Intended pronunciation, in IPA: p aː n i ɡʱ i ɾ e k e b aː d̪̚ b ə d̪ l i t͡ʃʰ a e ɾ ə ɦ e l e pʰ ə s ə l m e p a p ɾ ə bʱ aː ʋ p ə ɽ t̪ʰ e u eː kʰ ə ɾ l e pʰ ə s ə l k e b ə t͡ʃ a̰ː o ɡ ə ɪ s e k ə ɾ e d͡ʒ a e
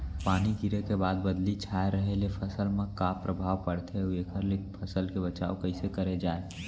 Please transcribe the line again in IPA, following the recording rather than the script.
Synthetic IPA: p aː n i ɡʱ i ɾ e k e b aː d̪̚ b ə d̪ l i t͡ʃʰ a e ɾ ə ɦ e l e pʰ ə s ə l m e k a p ɾ ə bʱ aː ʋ p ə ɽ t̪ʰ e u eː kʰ ə ɾ l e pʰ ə s ə l k e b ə t͡ʃ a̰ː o k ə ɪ s e k ə ɾ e d͡ʒ a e